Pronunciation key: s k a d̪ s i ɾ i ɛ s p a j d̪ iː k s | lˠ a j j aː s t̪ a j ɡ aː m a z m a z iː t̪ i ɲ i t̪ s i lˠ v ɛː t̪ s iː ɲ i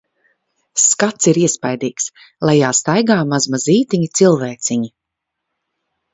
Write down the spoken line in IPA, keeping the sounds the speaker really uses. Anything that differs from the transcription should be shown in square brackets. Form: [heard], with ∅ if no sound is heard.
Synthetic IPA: s k a [t̪] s i ɾ i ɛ s p a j d̪ iː k s | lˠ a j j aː s t̪ a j ɡ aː m a z m a z iː t̪ i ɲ i t̪ s i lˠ v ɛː t̪ s [i] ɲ i